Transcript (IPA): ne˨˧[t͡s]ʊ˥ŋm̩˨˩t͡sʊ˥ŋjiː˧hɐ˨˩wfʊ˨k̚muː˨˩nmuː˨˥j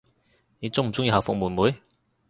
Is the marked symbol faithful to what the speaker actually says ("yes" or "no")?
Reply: yes